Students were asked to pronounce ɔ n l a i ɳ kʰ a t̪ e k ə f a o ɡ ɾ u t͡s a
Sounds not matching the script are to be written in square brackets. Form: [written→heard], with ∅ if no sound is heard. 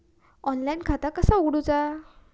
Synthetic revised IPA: ɔ n l a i [ɳ→n] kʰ a t̪ [e→a] k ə [f→s] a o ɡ [ɾ→ɽ] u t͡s a